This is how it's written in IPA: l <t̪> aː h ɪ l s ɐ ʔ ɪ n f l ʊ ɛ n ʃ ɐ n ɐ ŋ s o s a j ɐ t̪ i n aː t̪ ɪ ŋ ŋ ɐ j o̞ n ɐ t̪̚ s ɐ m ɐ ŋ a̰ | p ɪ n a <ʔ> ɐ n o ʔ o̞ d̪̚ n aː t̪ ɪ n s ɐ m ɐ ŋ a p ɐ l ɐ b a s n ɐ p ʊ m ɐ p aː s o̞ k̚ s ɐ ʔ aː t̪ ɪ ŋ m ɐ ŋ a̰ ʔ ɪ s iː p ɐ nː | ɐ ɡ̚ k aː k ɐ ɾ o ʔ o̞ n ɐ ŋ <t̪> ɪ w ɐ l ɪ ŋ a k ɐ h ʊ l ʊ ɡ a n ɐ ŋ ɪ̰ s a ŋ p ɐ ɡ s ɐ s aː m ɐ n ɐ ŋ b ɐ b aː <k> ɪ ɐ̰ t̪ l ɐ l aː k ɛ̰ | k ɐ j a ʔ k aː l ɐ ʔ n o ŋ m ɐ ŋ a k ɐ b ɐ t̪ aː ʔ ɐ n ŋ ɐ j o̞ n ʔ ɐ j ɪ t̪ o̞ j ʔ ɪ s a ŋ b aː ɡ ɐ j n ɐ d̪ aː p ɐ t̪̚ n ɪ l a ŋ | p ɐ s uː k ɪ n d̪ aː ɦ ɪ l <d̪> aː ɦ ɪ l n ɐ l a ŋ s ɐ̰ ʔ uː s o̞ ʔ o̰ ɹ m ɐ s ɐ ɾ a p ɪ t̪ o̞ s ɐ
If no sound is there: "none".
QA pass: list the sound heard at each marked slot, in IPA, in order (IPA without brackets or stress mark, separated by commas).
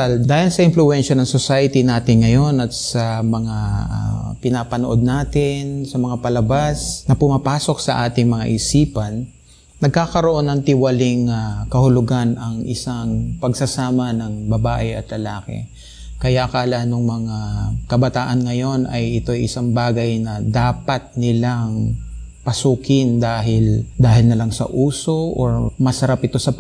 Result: d̪, p, t̪, ʔ, d̪